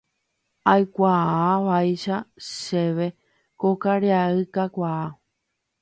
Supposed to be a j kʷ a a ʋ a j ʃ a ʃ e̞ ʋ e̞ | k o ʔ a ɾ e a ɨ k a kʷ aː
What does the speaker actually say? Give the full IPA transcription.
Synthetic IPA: a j kʷ a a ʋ a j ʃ a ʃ e̞ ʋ e̞ | k o k a ɾ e a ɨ k a kʷ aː